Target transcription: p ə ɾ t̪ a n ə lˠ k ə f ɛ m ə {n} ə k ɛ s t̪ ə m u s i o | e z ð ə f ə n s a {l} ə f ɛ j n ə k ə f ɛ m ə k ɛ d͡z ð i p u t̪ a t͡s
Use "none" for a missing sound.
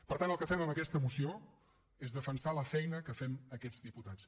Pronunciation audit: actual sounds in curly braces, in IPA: m, l

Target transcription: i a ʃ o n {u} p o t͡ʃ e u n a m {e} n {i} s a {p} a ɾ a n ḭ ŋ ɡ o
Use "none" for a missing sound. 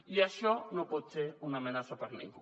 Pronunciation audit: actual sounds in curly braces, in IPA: o, e, a, p

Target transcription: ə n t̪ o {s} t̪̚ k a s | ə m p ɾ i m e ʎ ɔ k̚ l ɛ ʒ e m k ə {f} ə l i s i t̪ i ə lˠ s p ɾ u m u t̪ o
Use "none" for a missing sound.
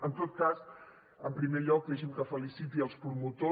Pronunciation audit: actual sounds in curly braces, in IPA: none, f

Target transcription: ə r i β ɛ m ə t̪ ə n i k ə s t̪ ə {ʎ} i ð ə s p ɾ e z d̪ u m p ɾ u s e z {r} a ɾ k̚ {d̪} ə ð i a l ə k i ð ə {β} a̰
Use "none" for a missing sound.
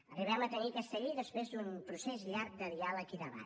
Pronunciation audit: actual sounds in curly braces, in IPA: ʎ, ʎ, d̪, β

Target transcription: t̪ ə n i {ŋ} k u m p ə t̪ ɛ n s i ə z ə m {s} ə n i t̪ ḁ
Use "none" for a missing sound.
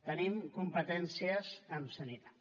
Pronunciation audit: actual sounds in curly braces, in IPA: m, s

